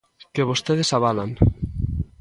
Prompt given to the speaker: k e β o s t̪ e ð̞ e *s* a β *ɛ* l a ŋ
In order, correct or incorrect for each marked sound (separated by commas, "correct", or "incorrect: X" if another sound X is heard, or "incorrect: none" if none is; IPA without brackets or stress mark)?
correct, incorrect: a